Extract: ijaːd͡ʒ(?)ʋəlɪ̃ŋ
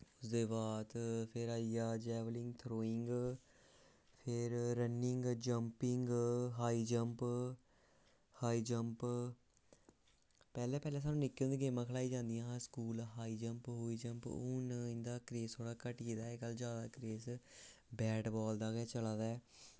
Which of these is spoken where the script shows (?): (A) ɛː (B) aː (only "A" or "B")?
A